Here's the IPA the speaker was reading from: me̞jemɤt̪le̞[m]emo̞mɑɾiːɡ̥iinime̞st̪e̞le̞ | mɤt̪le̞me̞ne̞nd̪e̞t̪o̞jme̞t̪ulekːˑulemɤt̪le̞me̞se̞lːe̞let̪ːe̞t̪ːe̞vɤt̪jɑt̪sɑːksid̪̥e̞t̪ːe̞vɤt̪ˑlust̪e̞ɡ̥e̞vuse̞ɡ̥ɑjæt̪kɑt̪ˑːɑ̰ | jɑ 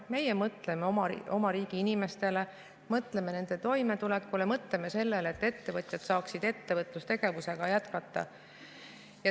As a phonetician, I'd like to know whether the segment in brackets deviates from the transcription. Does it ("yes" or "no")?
no